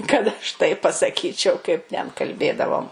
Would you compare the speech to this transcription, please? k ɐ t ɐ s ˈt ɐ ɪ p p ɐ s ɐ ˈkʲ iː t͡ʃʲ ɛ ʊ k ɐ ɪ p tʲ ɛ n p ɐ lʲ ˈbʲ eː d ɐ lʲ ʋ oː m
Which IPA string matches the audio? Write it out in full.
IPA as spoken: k ɐ t ɐ ʃ ˈt ɐ ɪ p p ɐ s ɐ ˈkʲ iː t͡ʃʲ ɛ ʊ k ɐ ɪ p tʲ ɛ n k ɐ lʲ ˈbʲ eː d ɐ ʋ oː m